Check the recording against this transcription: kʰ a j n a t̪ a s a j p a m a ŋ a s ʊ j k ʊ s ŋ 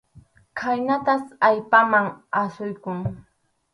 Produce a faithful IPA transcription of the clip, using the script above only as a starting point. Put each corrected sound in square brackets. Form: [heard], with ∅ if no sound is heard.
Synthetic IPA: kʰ a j n a t̪ a s a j p a m a ŋ a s ʊ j k ʊ [∅] ŋ